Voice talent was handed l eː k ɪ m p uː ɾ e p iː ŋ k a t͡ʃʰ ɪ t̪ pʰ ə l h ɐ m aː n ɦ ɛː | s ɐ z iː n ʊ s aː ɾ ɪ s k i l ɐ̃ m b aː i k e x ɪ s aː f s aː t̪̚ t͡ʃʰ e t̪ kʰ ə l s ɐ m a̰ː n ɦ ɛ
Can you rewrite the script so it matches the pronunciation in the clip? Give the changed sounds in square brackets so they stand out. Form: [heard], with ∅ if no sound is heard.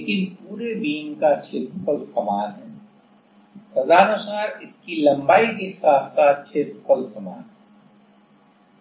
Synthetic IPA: l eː k ɪ [n] p uː ɾ e [b] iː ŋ k a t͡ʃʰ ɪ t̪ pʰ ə l [s] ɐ m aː n ɦ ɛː | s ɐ z [aː] n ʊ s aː ɾ ɪ s k i l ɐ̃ m b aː i k e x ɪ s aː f s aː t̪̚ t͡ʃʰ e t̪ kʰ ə l s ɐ m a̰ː n ɦ ɛ